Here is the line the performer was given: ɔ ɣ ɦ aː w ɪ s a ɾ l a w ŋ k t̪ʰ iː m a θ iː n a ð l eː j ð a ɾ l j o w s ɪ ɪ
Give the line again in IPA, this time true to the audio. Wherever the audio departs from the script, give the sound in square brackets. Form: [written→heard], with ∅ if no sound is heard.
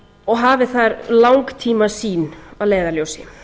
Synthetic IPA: ɔ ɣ ɦ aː [w→v] ɪ [s→θ] a ɾ l a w ŋ k t̪ʰ iː m a [θ→s] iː n a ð l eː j ð a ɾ l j o w s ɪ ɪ